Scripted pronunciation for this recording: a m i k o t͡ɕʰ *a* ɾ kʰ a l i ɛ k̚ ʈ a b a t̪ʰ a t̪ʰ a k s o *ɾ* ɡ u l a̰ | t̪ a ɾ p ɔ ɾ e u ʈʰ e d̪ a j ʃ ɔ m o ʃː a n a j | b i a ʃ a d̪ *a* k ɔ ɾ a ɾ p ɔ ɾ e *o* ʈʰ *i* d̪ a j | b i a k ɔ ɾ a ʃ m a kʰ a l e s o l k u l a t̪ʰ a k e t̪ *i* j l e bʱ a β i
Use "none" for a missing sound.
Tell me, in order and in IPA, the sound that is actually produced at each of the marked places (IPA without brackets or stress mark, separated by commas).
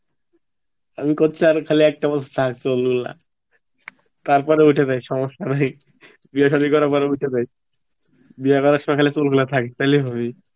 a, l, i, u, e, a